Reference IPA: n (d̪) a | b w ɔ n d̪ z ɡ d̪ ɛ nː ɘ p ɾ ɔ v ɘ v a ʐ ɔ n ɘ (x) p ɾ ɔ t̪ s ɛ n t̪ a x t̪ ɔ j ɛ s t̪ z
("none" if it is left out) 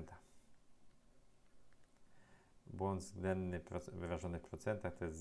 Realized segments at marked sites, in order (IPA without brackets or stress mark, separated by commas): t̪, f